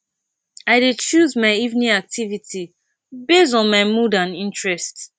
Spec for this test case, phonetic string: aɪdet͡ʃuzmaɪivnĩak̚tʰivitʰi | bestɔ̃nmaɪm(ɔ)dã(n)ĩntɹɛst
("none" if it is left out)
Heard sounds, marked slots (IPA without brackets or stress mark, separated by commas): u, n